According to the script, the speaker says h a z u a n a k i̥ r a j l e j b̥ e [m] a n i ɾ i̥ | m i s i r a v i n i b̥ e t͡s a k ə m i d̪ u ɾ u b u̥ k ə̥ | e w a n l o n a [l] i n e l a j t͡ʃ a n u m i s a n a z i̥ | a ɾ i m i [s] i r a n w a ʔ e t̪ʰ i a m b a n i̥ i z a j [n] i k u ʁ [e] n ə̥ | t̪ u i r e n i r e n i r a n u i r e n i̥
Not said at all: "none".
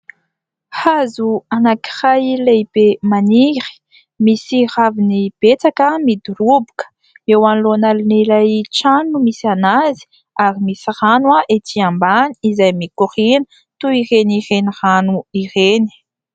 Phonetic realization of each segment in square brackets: m, l, s, m, i

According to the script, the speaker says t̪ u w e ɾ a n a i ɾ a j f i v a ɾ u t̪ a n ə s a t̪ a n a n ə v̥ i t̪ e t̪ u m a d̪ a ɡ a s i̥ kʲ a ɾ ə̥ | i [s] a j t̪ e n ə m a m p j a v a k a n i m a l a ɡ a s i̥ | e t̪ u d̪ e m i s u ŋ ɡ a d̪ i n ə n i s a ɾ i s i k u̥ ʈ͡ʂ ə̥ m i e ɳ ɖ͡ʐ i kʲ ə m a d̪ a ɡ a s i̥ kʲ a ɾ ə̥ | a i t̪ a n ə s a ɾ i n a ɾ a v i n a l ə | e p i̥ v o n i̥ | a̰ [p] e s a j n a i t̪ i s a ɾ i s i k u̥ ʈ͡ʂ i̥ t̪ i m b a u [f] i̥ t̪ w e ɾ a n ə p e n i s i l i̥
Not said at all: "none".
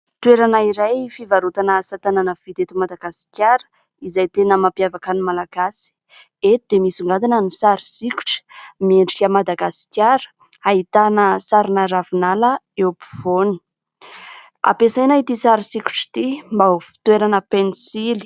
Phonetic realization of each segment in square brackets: z, p, f

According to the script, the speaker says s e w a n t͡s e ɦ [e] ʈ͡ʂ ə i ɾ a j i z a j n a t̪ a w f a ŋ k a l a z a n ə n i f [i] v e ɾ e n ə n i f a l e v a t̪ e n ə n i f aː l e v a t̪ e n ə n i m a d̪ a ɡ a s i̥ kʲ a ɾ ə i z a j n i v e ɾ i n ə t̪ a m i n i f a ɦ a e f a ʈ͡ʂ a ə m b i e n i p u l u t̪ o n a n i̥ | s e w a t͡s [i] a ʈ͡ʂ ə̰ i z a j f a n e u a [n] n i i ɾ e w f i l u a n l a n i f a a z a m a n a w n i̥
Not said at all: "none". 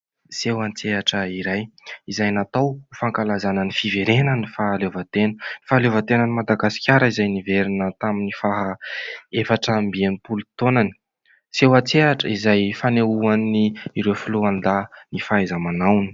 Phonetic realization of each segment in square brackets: a, i, e, n

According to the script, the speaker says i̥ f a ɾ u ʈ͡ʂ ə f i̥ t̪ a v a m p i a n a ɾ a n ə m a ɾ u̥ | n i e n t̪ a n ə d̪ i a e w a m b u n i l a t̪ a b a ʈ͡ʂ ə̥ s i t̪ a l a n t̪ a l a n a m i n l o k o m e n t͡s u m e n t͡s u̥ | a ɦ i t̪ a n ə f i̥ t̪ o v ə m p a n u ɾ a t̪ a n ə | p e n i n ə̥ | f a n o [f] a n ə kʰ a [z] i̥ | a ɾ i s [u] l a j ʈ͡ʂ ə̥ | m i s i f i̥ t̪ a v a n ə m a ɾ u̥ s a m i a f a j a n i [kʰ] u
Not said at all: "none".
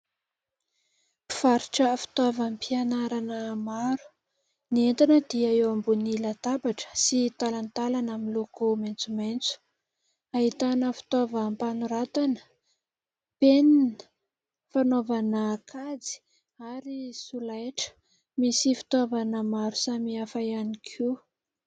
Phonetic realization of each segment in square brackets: v, d͡z, u, kʰ

